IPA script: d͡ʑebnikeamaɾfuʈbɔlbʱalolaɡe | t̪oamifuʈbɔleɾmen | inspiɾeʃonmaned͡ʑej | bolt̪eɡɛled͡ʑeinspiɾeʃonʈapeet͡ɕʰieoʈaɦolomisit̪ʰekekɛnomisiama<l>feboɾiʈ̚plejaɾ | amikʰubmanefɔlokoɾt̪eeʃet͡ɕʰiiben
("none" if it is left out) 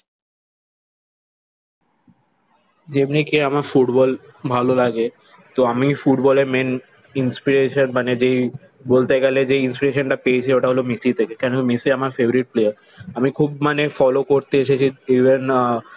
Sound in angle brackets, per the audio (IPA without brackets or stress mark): ɾ